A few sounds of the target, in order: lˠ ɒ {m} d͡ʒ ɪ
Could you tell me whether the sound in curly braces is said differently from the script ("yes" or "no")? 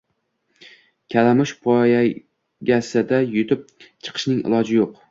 yes